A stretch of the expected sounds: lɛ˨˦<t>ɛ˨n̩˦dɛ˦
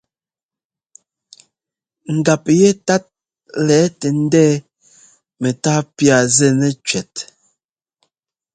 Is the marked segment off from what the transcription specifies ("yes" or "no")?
no